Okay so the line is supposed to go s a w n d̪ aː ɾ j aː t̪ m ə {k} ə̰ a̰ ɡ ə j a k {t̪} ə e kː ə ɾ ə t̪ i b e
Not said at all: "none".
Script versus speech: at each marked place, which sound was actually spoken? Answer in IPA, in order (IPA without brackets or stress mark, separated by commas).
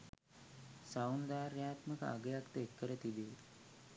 k, t̪